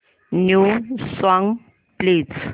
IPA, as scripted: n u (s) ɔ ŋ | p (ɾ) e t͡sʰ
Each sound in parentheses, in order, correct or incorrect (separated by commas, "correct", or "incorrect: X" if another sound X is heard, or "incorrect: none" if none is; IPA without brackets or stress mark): correct, incorrect: l